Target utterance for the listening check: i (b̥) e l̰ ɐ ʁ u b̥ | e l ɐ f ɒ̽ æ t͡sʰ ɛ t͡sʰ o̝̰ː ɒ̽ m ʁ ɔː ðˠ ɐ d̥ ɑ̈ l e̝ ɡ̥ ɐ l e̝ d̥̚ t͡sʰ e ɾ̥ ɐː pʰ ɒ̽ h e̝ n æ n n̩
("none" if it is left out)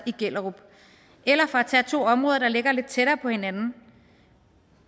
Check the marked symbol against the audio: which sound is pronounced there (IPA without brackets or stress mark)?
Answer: ɡ̥